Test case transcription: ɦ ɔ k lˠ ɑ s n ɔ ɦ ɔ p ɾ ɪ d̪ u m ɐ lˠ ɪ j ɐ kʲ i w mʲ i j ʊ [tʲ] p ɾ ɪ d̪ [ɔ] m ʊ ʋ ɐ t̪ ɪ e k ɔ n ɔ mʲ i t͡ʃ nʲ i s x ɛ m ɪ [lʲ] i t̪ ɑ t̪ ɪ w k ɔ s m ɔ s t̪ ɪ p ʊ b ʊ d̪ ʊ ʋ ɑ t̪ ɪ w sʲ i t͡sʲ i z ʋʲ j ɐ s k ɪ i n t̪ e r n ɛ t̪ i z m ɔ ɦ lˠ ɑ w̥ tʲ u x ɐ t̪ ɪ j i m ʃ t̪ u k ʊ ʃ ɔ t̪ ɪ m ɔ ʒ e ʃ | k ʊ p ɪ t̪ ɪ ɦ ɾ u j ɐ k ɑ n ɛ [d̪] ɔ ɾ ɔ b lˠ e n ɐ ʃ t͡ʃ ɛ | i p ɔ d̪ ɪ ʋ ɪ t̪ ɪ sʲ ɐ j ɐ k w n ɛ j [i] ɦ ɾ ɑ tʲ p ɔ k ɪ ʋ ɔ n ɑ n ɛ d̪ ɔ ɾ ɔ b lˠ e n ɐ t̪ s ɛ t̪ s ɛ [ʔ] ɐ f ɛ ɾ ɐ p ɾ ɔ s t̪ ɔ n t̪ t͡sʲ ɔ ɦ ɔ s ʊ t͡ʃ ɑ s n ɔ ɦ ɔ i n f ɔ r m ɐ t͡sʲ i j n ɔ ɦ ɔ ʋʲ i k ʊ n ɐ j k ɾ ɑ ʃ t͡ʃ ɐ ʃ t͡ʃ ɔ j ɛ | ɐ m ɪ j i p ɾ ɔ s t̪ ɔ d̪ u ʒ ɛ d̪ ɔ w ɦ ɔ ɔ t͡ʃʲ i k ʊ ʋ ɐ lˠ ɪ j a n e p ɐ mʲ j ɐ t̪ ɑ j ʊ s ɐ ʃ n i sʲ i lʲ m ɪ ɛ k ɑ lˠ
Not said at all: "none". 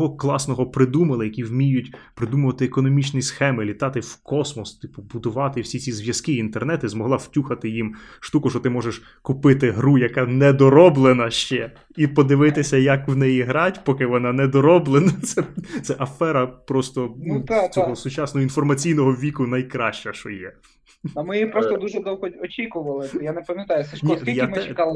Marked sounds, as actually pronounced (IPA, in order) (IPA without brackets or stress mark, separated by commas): tʲ, u, lʲ, d̪, i, ʔ